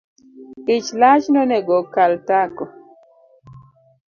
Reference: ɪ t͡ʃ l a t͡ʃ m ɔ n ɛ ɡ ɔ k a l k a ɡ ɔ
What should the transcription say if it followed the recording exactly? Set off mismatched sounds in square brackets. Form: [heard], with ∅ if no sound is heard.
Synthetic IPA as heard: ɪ t͡ʃ l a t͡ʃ [n] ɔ n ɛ ɡ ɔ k a l [t] a [k] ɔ